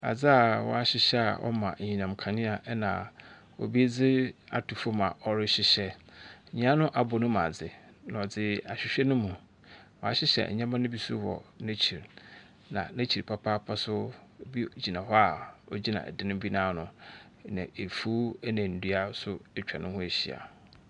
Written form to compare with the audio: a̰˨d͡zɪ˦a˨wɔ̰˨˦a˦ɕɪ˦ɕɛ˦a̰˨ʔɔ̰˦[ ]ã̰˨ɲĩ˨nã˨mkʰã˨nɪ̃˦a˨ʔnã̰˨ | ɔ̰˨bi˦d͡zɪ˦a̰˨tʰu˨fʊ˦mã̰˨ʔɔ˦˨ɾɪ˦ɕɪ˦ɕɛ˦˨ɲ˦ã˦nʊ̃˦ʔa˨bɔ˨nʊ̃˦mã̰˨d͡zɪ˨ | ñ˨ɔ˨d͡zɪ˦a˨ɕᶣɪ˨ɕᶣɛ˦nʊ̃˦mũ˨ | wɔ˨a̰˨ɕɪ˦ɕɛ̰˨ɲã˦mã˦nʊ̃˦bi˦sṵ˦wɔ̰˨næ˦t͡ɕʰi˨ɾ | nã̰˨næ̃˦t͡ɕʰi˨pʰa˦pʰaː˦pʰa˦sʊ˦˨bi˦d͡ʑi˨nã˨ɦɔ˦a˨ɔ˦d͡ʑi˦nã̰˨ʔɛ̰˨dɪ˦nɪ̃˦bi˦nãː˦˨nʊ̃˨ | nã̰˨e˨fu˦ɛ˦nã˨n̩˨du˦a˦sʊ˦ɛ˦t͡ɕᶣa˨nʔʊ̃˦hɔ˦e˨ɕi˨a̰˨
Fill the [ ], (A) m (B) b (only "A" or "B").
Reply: A